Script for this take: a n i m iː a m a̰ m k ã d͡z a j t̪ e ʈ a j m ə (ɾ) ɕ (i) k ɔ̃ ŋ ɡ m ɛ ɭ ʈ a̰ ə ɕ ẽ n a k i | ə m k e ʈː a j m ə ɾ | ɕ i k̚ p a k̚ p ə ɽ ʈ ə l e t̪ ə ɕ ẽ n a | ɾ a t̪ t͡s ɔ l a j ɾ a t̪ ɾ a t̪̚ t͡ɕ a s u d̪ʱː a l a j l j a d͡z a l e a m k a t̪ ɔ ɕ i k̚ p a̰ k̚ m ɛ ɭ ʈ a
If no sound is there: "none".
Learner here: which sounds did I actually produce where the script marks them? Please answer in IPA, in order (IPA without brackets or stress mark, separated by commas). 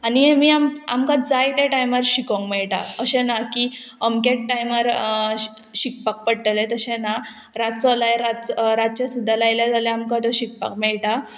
ɾ, i